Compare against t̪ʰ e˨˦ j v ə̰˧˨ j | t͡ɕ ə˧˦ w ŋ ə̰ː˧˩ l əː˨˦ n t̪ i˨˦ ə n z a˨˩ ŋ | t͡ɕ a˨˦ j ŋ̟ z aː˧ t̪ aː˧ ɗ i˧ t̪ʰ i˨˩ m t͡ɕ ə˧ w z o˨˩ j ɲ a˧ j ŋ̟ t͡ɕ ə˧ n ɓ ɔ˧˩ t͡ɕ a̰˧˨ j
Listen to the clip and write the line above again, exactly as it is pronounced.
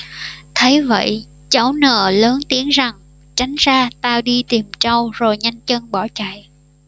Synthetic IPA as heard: t̪ʰ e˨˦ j v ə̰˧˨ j | t͡ɕ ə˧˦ w n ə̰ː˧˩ l əː˨˦ n t̪ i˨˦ ə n z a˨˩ ŋ | t͡ɕ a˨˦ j ŋ̟ z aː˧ t̪ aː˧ ɗ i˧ t̪ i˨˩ m t͡ɕ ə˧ w z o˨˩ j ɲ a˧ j ŋ̟ t͡ɕ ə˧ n ɓ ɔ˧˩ t͡ɕ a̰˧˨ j